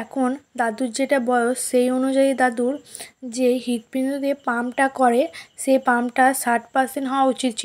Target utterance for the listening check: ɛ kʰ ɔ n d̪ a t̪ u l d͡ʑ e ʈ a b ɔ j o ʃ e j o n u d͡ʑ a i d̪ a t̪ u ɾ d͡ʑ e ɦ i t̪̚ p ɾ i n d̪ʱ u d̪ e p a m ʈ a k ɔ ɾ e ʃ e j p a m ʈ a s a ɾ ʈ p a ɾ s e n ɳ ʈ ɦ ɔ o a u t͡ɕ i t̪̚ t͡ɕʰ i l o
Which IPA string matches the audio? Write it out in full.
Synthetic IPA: ɛ kʰ o n d̪ a d̪ u ɾ d͡ʑ e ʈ a b ɔ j o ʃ e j o n u d͡ʑ a i d̪ a d̪ u ɾ d͡ʑ e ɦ i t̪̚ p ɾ i n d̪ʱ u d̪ e p a m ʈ a k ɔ ɾ e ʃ e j p a m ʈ a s a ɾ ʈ p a ɾ s e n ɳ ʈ ɦ ɔ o a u t͡ɕ i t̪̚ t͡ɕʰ i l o

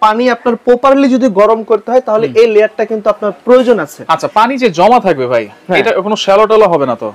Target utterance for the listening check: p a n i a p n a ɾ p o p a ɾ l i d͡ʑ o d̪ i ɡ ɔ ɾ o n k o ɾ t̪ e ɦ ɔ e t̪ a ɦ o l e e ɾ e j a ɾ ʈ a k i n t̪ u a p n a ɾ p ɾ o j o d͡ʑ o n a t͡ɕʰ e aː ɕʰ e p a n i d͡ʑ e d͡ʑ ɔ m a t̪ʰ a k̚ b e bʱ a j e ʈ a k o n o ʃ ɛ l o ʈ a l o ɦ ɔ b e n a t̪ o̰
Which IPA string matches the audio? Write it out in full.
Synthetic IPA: p a n i a p n a ɾ p o p a ɾ l i d͡ʑ o d̪ i ɡ ɔ ɾ o m k o ɾ t̪ e ɦ ɔ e t̪ a ɦ o l e e l e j a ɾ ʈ a k i n t̪ u a p n a ɾ p ɾ o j o d͡ʑ o n a t͡ɕʰ e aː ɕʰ a p a n i d͡ʑ e d͡ʑ ɔ m a t̪ʰ a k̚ b e bʱ a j e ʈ a k o n o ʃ ɛ l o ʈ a l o ɦ ɔ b e n a t̪ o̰

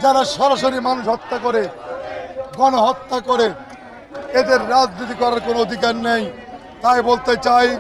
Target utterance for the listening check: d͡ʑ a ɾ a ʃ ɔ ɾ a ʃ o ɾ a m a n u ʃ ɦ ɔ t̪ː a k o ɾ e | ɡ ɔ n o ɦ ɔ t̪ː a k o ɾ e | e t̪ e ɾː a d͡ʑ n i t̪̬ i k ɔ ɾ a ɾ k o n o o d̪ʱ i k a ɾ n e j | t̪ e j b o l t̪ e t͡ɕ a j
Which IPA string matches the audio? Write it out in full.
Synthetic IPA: d͡ʑ a ɾ a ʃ ɔ ɾ a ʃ o ɾ i m a n u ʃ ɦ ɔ t̪ː a k o ɾ e | ɡ ɔ n o ɦ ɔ t̪ː a k o ɾ e | e d̪ e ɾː a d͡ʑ n i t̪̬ i k ɔ ɾ a ɾ k o n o o d̪ʱ i k a ɾ n e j | t̪ a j b o l t̪ e t͡ɕ a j

